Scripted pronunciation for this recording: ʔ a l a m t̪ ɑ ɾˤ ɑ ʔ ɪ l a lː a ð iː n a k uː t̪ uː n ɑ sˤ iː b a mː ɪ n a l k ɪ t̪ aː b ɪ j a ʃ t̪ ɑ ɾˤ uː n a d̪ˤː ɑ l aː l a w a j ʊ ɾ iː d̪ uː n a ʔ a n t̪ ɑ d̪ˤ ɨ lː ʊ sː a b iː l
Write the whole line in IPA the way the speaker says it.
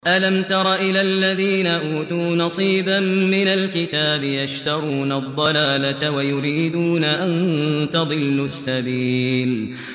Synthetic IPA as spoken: ʔ a l a m t̪ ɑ ɾˤ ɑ ʔ ɪ l a lː a ð iː n a ʔ uː t̪ uː n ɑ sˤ iː b a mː ɪ n a l k ɪ t̪ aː b ɪ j a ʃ t̪ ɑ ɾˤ uː n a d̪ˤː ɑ l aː l a w a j ʊ ɾ iː d̪ uː n a ʔ a n t̪ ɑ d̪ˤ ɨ lː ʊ sː a b iː l